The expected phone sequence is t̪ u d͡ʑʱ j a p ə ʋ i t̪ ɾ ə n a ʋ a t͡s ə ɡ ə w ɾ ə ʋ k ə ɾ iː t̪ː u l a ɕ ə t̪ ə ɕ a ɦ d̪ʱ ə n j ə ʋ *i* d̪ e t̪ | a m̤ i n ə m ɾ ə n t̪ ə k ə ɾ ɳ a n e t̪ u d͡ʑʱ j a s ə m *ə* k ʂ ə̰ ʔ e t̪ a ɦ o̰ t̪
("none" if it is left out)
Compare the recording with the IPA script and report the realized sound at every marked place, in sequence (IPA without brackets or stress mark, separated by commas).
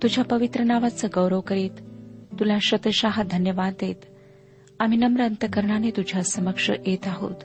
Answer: a, ə